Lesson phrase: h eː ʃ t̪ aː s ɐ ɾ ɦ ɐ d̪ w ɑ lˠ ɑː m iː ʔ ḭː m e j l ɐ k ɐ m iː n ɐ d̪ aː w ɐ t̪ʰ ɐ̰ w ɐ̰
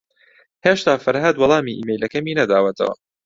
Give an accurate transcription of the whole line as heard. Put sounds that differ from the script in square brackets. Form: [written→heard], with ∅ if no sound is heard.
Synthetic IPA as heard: h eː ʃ t̪ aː [s→f] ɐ ɾ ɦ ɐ d̪ w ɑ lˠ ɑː m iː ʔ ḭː m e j l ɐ k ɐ m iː n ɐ d̪ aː w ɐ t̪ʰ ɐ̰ w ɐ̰